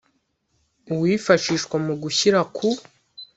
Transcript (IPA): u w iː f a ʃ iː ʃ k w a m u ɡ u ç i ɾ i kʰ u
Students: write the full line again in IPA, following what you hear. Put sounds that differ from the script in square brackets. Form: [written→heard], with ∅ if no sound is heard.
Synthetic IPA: u w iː f a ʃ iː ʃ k w a m u ɡ u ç i ɾ [i→a] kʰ u